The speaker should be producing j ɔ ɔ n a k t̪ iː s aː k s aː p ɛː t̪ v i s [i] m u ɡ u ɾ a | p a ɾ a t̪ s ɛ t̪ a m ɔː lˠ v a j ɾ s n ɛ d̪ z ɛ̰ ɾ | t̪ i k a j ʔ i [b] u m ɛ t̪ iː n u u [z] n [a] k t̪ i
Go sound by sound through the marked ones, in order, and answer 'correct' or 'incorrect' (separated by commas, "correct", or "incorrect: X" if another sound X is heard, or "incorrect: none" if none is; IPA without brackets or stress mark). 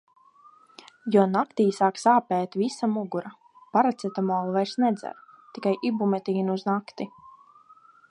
incorrect: a, correct, correct, correct